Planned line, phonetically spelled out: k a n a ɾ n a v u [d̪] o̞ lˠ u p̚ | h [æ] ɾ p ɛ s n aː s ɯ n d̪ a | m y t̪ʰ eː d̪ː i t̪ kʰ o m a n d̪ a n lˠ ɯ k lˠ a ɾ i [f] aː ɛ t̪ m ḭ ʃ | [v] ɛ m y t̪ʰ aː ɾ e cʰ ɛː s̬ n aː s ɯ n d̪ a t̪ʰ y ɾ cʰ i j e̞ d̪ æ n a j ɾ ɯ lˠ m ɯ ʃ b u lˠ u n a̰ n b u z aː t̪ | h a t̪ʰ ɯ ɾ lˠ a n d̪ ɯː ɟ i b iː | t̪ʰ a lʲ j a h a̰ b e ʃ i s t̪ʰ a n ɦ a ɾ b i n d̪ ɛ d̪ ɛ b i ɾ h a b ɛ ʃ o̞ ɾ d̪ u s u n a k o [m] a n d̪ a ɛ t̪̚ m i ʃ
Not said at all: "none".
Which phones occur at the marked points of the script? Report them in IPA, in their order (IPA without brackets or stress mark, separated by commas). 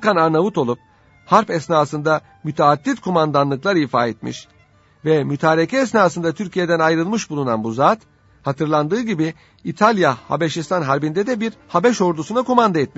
t̪, a, f, v, m